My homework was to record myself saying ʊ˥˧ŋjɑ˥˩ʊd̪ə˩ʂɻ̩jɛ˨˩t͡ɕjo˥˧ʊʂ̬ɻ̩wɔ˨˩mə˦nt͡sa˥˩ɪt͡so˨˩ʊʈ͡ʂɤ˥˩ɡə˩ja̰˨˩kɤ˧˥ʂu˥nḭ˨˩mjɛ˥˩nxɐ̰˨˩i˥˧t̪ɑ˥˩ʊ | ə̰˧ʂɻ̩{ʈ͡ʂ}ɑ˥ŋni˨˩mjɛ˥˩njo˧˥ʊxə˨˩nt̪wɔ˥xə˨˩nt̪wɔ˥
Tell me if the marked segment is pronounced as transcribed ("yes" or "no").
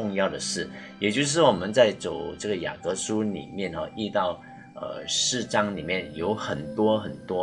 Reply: yes